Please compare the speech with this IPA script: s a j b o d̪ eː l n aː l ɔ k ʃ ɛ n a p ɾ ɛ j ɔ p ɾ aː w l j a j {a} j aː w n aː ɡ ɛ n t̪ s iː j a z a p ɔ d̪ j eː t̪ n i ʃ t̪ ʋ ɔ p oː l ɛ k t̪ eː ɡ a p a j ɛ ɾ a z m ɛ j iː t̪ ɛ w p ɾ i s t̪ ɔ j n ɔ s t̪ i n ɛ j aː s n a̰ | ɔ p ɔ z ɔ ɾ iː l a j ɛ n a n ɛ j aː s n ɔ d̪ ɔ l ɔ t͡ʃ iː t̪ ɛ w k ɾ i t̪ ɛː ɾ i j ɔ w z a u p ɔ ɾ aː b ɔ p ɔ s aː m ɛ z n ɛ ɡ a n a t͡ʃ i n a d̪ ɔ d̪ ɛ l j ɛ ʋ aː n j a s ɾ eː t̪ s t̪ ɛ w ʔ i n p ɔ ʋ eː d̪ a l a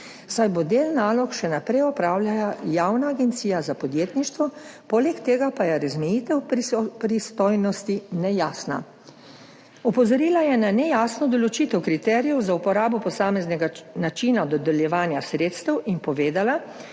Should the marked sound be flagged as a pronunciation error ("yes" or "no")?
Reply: no